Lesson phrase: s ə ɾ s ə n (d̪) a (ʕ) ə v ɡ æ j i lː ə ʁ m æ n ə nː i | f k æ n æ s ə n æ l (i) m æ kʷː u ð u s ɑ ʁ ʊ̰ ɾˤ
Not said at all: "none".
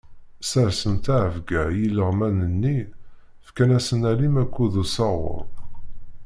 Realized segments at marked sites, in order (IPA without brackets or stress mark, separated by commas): t̪, ʕ, i